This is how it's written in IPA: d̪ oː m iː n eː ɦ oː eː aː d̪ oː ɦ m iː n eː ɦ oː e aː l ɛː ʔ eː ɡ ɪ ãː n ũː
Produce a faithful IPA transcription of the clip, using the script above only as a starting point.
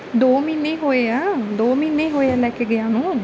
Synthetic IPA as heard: d̪ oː m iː n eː ɦ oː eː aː d̪ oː m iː n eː ɦ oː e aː l ɛː k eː ɡ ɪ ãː n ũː